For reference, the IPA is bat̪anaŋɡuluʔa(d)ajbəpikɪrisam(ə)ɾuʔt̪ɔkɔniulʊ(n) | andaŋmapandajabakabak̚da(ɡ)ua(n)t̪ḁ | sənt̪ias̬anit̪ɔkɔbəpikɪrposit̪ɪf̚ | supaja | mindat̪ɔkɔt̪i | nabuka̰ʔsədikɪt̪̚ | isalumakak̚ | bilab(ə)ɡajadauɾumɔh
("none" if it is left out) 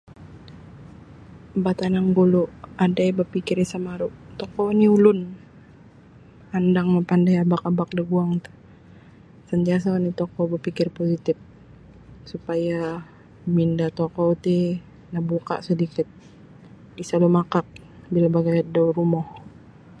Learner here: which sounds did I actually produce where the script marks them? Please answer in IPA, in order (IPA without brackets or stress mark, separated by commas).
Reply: d, a, n, ɡ, ŋ, a